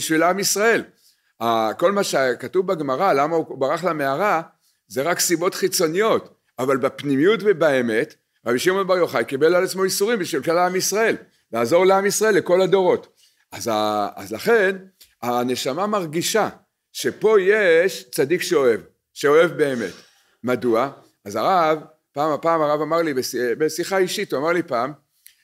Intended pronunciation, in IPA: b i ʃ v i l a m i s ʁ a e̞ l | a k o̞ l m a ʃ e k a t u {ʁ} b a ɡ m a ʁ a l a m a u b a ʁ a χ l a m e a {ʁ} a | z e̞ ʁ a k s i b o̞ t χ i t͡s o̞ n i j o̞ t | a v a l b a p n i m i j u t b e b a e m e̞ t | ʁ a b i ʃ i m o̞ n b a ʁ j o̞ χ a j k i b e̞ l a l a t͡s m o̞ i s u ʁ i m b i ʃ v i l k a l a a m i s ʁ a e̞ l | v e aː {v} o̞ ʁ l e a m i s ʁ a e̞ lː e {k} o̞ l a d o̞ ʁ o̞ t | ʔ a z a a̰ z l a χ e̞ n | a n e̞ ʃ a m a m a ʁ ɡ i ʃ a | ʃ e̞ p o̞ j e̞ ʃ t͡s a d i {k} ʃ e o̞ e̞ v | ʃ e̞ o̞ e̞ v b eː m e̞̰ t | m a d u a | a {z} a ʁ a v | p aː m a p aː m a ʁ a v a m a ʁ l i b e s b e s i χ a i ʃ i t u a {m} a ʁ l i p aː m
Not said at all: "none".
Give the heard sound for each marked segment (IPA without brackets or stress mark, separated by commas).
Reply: v, ʁ, z, k, k, z, m